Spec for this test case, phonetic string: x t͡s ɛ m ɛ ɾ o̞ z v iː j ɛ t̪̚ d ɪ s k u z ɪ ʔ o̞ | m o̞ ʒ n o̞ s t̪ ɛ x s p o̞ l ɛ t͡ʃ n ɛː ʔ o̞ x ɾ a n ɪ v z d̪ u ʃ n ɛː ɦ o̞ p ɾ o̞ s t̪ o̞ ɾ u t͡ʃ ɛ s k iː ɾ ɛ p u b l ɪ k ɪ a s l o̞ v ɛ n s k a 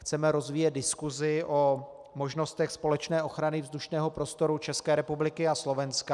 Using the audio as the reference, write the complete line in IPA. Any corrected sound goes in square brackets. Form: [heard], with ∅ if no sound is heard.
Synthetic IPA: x t͡s ɛ m ɛ ɾ o̞ z v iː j ɛ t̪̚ d ɪ s k u z ɪ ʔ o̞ | m o̞ ʒ n o̞ s t̪ ɛ x s p o̞ l ɛ t͡ʃ n ɛː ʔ o̞ x ɾ a n ɪ v z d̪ u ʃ n ɛː ɦ o̞ p ɾ o̞ s t̪ o̞ ɾ u t͡ʃ ɛ s k [ɛː] ɾ ɛ p u b l ɪ k ɪ a s l o̞ v ɛ n s k a